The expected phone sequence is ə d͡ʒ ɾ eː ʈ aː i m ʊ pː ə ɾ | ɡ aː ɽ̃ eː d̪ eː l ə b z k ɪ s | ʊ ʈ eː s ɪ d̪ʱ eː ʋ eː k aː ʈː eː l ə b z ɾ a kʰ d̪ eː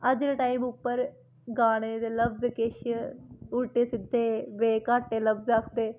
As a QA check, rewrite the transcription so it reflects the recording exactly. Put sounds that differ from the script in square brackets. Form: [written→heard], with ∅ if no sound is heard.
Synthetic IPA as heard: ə d͡ʒ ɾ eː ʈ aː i m ʊ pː ə ɾ | ɡ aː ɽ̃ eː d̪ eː l ə b z k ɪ [s→ʃ] | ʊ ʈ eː s ɪ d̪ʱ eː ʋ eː k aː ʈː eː l ə b z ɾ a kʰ d̪ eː